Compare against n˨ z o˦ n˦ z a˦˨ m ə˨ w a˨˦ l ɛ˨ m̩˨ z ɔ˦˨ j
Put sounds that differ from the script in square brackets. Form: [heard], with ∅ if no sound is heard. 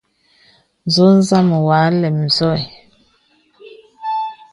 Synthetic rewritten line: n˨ z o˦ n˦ z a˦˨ m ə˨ w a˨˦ l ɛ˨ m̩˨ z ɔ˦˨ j